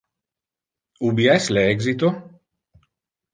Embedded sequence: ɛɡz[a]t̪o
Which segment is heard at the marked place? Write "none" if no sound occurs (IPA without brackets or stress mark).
i